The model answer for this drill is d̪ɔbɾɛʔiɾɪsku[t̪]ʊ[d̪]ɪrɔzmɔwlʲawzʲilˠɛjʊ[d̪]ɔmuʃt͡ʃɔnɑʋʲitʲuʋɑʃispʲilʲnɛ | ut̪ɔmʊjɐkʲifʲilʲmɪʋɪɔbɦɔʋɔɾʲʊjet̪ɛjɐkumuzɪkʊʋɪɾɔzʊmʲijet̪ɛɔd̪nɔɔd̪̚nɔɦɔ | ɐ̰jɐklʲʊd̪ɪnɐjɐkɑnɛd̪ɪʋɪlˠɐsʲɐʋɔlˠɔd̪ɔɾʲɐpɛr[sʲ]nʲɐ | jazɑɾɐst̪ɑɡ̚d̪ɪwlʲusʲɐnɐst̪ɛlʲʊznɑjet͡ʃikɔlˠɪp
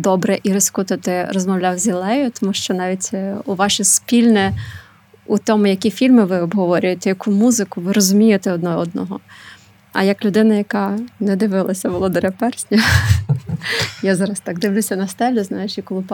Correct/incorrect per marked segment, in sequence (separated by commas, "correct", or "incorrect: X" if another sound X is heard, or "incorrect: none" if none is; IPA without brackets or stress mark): correct, incorrect: t̪, incorrect: t̪, correct